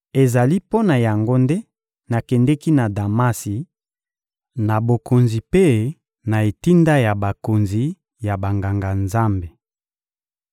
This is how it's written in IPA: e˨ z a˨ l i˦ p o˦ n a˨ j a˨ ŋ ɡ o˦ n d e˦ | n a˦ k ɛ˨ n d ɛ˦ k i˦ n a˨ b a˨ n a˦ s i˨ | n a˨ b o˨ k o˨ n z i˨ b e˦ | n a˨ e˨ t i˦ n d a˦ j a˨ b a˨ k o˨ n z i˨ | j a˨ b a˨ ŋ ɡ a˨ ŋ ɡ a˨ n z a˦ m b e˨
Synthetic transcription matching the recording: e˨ z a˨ l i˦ p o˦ n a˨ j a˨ ŋ ɡ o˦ n d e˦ | n a˨ k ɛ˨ n d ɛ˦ k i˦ n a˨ d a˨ m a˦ s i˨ | n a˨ b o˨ k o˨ n z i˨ p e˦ | n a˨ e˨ t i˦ n d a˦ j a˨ b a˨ k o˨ n z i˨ | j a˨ b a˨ ŋ ɡ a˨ ŋ ɡ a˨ n z a˦ m b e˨